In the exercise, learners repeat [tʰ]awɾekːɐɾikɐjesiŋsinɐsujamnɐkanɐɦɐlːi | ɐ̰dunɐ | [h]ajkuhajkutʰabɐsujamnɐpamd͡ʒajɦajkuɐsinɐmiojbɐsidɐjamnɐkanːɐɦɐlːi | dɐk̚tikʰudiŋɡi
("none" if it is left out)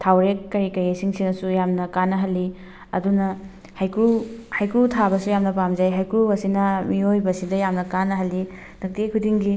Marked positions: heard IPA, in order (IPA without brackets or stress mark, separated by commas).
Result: tʰ, h